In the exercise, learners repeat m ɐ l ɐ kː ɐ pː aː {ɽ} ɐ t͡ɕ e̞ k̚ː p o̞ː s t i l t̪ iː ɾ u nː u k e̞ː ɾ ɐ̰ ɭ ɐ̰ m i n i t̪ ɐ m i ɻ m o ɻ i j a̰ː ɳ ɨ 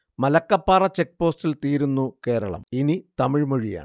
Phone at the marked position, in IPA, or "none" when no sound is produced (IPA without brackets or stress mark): r